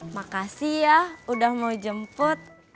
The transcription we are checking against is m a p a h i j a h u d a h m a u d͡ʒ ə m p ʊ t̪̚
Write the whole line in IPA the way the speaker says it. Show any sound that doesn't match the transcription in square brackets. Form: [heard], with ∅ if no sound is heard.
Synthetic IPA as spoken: m a [k] a [s] i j a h u d a h m a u d͡ʒ ə m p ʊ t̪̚